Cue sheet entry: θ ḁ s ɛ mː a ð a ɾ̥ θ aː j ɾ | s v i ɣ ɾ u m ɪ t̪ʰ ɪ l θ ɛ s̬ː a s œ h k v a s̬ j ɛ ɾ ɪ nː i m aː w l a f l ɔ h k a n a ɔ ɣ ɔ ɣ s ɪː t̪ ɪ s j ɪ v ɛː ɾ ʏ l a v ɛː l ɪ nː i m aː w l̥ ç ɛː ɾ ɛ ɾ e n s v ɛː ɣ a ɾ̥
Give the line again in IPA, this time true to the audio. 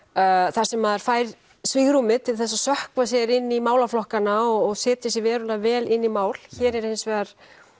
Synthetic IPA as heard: θ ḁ s ɛ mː a ð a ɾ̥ f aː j ɾ | s v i ɣ ɾ u m ɪ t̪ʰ ɪ l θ ɛ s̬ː a s œ h k v a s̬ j ɛ ɾ ɪ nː i m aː w l a f l ɔ h k a n a ɔ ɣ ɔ ɣ s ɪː t̪ ɪ s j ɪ v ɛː ɾ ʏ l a v ɛː l ɪ nː i m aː w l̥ ç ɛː ɾ ɛ ɾ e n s v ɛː ɣ a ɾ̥